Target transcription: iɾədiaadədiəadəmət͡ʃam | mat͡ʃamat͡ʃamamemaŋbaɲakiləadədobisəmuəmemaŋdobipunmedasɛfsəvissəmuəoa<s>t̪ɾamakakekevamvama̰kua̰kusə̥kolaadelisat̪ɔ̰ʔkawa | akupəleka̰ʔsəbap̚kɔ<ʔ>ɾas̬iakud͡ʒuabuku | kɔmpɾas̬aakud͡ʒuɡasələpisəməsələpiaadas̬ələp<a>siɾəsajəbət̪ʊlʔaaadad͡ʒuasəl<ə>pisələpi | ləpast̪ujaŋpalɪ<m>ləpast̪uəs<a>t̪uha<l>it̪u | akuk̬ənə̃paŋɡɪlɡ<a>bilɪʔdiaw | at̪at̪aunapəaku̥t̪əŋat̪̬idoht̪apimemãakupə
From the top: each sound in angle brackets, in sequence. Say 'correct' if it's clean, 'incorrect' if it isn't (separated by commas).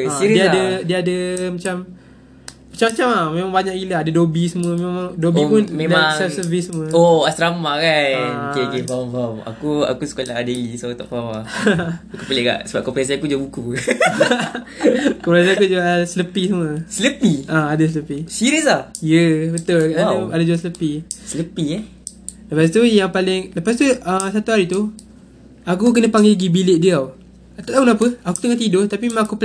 correct, incorrect, incorrect, correct, incorrect, correct, incorrect, incorrect